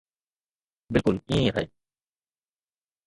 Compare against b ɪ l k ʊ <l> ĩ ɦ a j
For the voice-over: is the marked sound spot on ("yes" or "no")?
yes